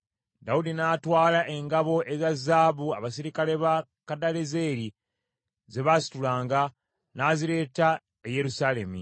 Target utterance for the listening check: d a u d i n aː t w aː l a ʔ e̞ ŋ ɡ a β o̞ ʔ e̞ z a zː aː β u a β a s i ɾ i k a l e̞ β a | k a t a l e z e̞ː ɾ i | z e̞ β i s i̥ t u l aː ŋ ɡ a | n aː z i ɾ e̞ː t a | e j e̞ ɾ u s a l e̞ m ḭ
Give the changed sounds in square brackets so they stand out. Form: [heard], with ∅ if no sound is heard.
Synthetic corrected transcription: d a u d i n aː t w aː l a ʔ e̞ ŋ ɡ a β o̞ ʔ e̞ z a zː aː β u a β a s i ɾ i k a l e̞ β a | k a [d] a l e z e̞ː ɾ i | z e̞ β [a] s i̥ t u l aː ŋ ɡ a | n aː z i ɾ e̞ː t a | e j e̞ ɾ u s a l e̞ m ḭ